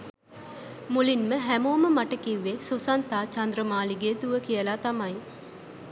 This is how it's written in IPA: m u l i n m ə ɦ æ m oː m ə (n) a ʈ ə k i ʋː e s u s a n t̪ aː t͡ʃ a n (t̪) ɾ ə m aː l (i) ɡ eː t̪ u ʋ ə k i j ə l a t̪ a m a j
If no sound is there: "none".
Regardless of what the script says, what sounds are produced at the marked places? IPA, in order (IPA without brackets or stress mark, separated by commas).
m, d̪, i